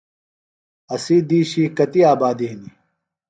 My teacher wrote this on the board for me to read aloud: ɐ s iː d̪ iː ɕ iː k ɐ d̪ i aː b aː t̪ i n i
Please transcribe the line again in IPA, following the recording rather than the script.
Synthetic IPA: ɐ s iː d̪ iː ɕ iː k ɐ t̪ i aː b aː d̪ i n i